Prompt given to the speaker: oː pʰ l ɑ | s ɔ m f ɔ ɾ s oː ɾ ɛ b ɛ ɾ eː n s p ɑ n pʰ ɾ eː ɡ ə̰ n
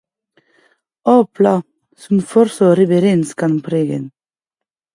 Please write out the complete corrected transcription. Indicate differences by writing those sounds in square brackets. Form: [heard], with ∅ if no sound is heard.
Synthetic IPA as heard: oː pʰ l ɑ | s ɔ m f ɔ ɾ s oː ɾ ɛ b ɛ ɾ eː n s [k] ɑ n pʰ ɾ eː ɡ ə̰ n